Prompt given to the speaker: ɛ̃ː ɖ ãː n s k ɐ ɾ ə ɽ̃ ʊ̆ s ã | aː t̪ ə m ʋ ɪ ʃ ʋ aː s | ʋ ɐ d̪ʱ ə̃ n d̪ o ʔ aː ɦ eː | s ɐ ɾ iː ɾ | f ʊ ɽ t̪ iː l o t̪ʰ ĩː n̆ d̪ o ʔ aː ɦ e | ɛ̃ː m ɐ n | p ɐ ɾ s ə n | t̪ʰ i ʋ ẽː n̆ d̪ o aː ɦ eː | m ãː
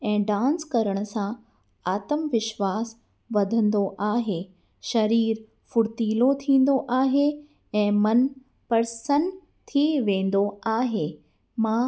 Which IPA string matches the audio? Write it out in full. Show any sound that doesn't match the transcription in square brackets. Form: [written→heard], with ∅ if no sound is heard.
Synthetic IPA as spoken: ɛ̃ː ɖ ãː n s k ɐ ɾ ə ɽ̃ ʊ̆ s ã | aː t̪ ə m ʋ ɪ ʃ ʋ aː s | ʋ ɐ d̪ʱ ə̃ n d̪ o ʔ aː ɦ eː | [s→ʃ] ɐ ɾ iː ɾ | f ʊ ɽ t̪ iː l o t̪ʰ ĩː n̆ d̪ o ʔ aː ɦ e | ɛ̃ː m ɐ n | p ɐ ɾ s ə n | t̪ʰ i ʋ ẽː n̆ d̪ o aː ɦ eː | m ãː